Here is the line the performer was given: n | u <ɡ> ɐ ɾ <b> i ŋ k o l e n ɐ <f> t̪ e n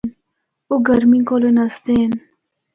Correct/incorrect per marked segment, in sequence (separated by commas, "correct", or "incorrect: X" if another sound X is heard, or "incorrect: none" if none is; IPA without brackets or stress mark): correct, incorrect: m, incorrect: s